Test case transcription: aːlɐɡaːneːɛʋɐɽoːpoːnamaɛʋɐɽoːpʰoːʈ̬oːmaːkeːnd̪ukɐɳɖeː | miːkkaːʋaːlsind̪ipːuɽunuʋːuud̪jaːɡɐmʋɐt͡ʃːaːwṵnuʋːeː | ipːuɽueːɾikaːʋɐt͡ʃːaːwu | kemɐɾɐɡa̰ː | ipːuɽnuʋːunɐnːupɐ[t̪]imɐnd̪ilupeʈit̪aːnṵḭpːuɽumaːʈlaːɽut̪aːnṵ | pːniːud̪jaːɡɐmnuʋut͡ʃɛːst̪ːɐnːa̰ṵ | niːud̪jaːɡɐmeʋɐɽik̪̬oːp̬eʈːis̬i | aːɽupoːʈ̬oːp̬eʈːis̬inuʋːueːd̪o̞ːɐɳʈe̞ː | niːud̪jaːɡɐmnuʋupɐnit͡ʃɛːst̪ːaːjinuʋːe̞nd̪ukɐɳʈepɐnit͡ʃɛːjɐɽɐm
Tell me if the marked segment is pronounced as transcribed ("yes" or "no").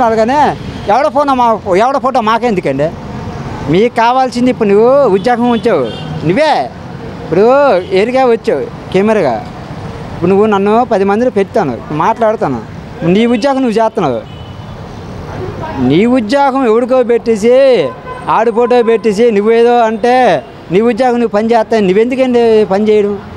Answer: no